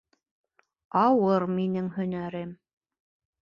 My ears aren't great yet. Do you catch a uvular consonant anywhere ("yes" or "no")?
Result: no